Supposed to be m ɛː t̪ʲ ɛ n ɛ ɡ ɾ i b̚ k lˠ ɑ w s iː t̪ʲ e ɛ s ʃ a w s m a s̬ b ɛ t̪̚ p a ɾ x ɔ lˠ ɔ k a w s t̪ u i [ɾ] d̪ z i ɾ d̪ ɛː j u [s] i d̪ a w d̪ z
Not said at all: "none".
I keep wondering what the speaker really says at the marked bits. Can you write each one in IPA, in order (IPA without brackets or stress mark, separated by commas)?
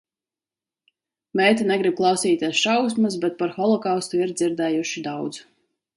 ɾ, ʃ